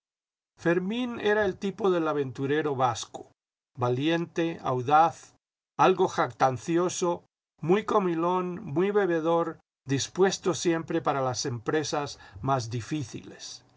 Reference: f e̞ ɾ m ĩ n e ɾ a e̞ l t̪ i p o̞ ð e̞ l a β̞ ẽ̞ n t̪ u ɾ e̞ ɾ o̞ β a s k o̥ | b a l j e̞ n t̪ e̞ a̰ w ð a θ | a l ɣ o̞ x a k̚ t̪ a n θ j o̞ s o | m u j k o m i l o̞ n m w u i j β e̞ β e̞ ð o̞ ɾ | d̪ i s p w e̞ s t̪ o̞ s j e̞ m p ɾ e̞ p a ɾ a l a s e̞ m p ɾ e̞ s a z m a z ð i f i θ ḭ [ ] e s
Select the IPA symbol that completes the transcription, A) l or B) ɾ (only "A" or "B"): A